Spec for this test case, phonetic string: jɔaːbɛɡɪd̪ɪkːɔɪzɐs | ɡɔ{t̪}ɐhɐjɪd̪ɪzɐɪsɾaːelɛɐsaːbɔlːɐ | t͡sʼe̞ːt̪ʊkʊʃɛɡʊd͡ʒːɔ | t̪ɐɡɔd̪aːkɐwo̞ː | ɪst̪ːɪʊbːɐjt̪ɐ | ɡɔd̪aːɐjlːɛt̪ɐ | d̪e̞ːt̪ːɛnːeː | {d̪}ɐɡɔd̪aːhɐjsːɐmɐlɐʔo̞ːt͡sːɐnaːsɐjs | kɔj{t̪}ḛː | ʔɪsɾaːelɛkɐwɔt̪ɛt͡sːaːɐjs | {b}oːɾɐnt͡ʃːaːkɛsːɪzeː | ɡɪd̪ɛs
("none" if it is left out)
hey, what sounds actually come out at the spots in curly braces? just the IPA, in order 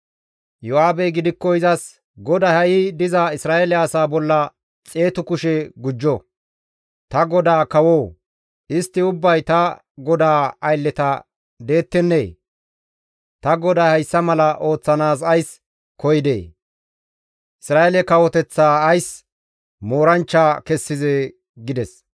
d̪, t̪, d̪, m

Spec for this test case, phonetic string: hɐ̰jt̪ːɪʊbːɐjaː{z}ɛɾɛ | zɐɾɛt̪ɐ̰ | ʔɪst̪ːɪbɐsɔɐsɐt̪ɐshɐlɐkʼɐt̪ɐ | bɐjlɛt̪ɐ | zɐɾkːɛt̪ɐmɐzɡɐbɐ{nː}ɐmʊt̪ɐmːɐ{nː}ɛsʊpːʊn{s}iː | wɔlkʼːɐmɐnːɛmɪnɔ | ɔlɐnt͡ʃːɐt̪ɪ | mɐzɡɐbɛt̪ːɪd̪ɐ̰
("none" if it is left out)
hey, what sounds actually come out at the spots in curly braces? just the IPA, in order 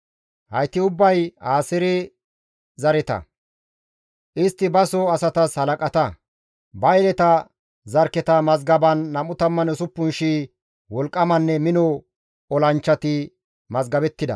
s, nː, n, ʃ

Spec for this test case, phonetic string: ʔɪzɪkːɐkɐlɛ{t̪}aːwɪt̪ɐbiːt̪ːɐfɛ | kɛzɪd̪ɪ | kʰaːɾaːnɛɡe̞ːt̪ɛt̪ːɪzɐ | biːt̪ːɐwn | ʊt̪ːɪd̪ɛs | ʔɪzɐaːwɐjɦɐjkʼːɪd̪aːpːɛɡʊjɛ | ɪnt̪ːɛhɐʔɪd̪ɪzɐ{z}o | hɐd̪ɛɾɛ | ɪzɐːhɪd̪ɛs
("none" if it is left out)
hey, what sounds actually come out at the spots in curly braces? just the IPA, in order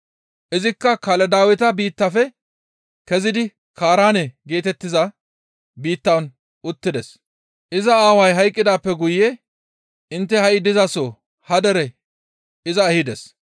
d̪, s

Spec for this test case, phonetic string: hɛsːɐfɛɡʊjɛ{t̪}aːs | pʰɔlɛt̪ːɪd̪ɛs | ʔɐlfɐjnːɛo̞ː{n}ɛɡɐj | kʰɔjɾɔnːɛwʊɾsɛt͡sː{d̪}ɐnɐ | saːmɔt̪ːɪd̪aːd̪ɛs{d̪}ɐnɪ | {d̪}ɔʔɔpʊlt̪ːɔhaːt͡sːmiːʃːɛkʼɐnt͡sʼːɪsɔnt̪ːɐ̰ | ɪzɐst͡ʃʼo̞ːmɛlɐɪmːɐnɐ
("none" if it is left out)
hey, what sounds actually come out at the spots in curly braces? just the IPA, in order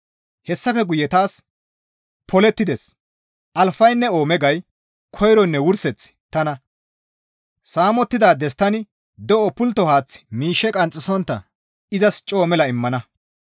t̪, m, t̪, t̪, d̪

